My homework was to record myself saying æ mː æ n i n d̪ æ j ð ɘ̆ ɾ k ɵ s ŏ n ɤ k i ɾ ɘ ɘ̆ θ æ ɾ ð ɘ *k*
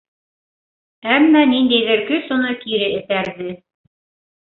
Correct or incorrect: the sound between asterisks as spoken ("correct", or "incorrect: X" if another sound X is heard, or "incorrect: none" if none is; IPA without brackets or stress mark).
incorrect: none